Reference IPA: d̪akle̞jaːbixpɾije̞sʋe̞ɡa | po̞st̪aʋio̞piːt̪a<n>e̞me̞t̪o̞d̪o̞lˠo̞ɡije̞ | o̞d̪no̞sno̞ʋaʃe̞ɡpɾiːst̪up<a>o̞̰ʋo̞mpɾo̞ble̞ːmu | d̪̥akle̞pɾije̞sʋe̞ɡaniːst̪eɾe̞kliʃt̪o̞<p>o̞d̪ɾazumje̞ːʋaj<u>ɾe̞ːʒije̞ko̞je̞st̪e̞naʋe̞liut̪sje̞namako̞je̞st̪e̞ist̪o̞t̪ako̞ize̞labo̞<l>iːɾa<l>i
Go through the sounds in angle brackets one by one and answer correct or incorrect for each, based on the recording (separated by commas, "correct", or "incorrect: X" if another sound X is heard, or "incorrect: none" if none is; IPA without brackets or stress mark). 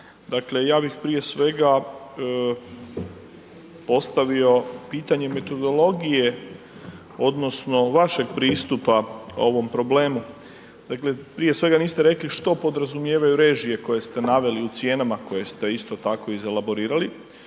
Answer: incorrect: ɲ, correct, correct, correct, incorrect: ɾ, correct